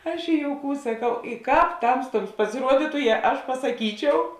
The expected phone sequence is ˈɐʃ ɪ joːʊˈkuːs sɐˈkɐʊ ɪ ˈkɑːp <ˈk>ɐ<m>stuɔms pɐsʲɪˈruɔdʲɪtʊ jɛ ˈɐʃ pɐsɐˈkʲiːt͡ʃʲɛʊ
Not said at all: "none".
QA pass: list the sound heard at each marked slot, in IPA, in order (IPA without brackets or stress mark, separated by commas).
t, m